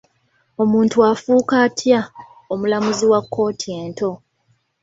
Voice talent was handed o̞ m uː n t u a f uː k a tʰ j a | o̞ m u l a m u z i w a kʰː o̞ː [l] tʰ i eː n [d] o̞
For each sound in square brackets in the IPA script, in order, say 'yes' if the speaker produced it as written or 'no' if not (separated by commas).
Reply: no, no